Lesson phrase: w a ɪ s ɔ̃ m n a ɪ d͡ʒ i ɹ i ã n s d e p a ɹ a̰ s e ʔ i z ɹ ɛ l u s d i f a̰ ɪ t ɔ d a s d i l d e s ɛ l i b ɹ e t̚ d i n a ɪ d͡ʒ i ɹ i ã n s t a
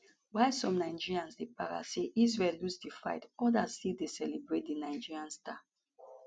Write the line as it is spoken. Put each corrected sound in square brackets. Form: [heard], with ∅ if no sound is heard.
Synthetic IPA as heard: w a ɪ s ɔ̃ m n a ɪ d͡ʒ i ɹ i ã n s d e p a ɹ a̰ s e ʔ i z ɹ ɛ l u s d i f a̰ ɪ t ɔ d a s [t] i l d e s ɛ l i b ɹ e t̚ d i n a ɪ d͡ʒ i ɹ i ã n s t a